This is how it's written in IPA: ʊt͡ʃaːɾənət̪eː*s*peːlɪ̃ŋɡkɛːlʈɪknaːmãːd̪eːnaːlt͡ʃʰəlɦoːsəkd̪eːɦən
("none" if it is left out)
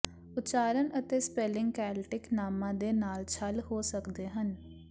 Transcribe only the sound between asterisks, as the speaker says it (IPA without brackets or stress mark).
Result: s